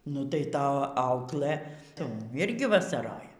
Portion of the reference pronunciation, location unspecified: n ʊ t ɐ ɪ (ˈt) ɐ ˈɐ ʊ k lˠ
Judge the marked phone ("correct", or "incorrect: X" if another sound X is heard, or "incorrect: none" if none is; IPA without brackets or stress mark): correct